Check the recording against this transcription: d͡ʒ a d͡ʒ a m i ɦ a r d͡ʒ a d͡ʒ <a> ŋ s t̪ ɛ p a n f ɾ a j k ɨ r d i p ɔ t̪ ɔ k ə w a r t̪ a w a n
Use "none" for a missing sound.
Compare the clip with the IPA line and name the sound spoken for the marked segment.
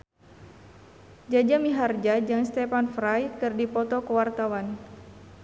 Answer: a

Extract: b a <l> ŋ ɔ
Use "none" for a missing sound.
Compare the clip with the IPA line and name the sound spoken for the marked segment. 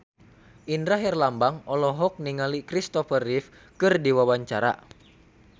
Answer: none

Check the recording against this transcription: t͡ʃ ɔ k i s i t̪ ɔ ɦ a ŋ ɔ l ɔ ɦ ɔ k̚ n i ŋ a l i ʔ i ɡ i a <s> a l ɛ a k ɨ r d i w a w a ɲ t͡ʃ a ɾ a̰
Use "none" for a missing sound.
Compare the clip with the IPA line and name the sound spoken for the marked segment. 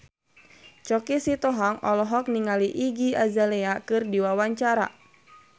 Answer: z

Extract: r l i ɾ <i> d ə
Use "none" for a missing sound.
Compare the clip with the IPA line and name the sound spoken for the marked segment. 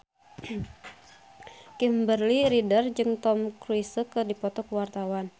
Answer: i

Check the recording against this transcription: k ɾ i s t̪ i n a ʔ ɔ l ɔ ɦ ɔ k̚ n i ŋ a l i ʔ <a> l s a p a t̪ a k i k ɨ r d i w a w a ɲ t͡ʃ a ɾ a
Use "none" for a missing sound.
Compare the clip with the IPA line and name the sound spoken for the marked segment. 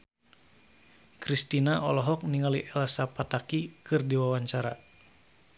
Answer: ɛ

